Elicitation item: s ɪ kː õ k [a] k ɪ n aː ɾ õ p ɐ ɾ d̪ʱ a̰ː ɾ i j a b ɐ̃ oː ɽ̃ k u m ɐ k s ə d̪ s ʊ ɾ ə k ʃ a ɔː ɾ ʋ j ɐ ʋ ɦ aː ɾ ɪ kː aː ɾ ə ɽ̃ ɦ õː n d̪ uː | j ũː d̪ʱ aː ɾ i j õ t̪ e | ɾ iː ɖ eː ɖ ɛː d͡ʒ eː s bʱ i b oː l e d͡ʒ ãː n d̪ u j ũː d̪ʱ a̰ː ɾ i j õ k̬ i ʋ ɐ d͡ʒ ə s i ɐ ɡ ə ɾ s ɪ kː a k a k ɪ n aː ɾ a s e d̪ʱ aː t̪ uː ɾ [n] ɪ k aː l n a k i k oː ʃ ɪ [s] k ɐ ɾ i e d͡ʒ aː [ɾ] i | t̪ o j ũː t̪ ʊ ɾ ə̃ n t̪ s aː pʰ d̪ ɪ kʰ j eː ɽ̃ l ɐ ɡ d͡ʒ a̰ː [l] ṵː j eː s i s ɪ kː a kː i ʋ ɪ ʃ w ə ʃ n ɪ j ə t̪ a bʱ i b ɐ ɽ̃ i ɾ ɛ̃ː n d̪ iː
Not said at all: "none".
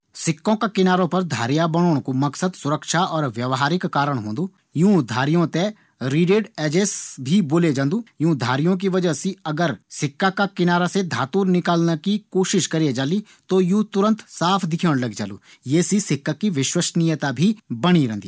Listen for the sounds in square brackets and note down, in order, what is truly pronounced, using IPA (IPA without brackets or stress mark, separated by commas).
a, n, ʃ, l, l